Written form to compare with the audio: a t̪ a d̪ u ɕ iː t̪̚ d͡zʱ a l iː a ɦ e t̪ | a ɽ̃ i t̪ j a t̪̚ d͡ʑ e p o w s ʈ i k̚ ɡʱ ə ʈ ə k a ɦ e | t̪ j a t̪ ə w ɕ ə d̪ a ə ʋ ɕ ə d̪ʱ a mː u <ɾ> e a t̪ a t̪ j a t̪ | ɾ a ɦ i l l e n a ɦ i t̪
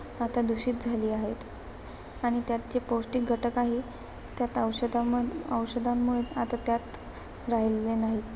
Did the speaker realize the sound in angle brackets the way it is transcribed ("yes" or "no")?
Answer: no